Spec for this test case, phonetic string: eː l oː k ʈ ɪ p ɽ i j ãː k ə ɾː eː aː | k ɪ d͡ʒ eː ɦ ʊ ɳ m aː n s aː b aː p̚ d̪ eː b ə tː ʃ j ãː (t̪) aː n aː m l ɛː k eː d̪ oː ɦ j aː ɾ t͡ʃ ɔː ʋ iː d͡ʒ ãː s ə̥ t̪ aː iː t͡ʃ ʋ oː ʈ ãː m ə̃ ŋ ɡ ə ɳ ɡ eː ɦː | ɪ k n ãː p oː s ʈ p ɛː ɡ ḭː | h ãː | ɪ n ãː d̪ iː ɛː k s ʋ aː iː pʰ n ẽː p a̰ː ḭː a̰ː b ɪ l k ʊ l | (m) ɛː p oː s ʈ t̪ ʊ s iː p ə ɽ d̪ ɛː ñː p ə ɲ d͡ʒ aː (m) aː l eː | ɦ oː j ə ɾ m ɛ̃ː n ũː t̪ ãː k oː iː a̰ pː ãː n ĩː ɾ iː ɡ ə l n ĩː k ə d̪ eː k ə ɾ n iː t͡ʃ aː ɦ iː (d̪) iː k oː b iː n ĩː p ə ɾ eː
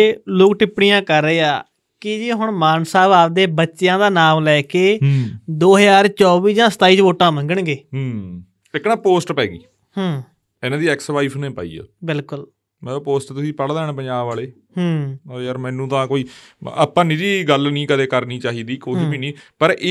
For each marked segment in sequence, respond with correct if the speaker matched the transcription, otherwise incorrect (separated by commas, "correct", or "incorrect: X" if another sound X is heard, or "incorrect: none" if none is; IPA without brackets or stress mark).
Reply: incorrect: d̪, correct, incorrect: b, correct